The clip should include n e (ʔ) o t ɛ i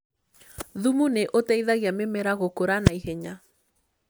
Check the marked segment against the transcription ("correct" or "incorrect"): correct